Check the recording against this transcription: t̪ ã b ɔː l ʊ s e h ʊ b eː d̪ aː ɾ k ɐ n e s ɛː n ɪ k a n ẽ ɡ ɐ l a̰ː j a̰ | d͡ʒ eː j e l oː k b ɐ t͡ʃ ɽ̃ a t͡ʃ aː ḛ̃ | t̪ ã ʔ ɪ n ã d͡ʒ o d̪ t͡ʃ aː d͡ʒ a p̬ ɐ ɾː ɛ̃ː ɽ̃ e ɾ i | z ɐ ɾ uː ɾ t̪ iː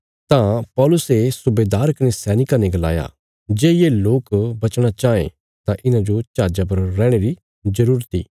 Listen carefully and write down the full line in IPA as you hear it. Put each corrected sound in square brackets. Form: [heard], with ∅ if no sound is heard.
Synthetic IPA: t̪ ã [p] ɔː l ʊ s e [s] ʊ b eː d̪ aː ɾ k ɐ n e s ɛː n ɪ k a n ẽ ɡ ɐ l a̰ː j a̰ | d͡ʒ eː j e l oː k b ɐ t͡ʃ ɽ̃ a t͡ʃ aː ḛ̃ | t̪ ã ʔ ɪ n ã d͡ʒ o [∅] t͡ʃ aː d͡ʒ a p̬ ɐ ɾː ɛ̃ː ɽ̃ e ɾ i | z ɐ ɾ uː ɾ t̪ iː

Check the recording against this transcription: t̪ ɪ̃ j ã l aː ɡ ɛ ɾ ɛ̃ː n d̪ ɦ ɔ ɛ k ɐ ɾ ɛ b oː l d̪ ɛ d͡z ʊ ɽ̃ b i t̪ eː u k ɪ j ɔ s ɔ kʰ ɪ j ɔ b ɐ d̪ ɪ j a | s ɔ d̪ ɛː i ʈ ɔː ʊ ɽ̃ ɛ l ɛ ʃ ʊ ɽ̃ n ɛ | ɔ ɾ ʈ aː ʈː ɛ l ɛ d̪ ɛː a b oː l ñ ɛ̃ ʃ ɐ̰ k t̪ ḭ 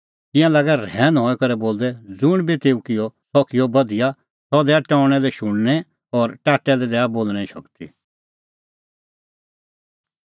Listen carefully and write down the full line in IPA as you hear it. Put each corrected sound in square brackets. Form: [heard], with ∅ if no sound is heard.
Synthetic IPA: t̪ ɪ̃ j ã l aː ɡ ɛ ɾ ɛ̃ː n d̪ ɦ ɔ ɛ k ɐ ɾ ɛ b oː l d̪ ɛ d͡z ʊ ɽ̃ b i t̪ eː u k ɪ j ɔ s ɔ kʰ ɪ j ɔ b ɐ d̪ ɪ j a | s ɔ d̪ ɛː [a] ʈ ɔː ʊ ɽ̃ ɛ l ɛ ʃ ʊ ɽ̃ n ɛ | ɔ ɾ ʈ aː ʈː ɛ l ɛ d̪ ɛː a b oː l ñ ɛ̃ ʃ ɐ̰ k t̪ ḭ

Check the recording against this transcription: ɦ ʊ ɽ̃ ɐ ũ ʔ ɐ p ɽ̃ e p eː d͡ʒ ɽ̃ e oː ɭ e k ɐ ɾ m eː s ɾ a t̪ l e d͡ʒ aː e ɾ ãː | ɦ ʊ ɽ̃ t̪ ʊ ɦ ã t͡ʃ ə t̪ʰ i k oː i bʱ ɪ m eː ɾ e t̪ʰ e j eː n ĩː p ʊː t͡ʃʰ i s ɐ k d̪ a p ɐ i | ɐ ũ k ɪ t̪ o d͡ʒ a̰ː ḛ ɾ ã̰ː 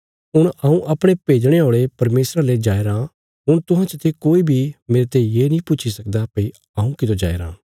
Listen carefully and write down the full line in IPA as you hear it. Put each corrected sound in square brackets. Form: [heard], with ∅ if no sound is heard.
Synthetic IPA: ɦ ʊ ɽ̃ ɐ ũ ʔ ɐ p ɽ̃ e p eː d͡ʒ ɽ̃ e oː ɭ e [p] ɐ ɾ m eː s ɾ a [∅] l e d͡ʒ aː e ɾ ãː | ɦ ʊ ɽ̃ t̪ ʊ ɦ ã t͡ʃ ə t̪ʰ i k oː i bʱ [i] m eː ɾ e [t̪] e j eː n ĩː p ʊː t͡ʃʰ i s ɐ k d̪ a p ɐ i | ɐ ũ k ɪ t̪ o d͡ʒ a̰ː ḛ ɾ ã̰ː

